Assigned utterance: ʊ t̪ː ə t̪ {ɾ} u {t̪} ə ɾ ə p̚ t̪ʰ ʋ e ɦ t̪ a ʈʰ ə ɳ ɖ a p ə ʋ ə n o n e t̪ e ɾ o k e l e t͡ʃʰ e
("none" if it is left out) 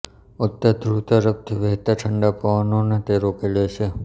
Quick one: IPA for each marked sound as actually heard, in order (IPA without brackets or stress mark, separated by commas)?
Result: ɾ, t̪